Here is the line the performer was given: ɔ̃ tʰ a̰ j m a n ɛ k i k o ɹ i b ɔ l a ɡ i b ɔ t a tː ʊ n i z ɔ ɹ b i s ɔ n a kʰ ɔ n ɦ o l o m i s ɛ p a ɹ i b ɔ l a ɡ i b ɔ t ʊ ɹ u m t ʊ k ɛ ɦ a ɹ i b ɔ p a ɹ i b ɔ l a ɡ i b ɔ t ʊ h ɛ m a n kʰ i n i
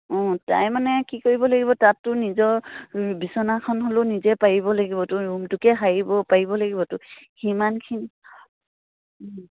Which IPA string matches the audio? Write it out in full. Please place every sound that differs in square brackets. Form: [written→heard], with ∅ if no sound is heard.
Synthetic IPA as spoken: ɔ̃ [tʰ→t] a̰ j m a n ɛ k i k o ɹ i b ɔ l a ɡ i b ɔ t a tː ʊ n i z ɔ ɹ b i s ɔ n a kʰ ɔ n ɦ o l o [m→n] i [s→z] ɛ p a ɹ i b ɔ l a ɡ i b ɔ t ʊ ɹ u m t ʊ k ɛ ɦ a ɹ i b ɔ p a ɹ i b ɔ l a ɡ i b ɔ t ʊ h [ɛ→i] m a n kʰ i n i